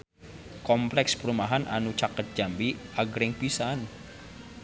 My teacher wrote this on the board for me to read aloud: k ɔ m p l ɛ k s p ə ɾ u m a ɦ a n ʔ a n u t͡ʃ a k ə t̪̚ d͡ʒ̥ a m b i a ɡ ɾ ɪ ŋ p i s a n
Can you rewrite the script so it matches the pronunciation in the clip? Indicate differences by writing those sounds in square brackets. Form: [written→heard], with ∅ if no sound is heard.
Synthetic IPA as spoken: k ɔ m p l ɛ k s p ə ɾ u m a ɦ a n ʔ a n u t͡ʃ a k ə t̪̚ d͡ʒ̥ a m b i a ɡ ɾ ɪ ŋ p i s a n